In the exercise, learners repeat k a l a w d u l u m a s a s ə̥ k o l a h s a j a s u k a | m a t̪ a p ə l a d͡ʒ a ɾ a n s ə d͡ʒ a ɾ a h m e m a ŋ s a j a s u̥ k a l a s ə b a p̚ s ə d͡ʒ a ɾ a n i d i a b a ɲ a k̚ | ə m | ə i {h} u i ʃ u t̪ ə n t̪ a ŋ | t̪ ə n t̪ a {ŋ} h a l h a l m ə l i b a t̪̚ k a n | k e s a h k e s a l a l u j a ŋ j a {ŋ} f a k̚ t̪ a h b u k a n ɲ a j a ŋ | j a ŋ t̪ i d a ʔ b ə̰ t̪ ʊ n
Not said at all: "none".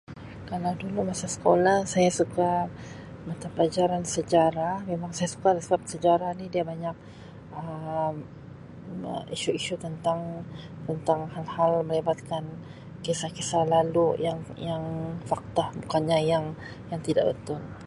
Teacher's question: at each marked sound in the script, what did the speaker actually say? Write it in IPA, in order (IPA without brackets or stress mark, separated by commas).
ʃ, ŋ, ŋ